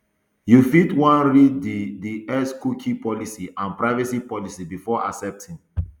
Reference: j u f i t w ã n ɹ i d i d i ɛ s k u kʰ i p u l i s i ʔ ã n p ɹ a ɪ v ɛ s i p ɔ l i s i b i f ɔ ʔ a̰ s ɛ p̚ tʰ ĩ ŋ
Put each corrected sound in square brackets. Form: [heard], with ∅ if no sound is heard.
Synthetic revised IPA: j u f i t w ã n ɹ i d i d i ɛ s k u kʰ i p [ɔ] l i s i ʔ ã n p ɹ a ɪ v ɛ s i p ɔ l i s i b i f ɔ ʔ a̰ s ɛ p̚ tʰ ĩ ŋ